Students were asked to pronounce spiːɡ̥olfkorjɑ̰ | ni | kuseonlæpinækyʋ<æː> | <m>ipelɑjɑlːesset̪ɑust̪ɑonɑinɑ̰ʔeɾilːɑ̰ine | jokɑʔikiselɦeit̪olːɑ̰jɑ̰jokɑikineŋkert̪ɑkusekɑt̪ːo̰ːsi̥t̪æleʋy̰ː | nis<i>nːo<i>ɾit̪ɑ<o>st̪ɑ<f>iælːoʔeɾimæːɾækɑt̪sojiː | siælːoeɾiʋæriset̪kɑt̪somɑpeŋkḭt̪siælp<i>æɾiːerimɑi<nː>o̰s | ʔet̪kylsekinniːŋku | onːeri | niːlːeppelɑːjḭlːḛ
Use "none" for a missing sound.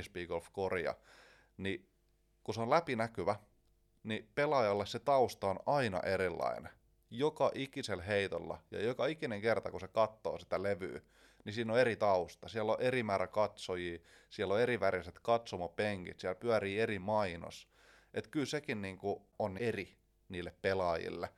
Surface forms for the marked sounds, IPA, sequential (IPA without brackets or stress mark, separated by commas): æ, n, iː, e, u, s, y, n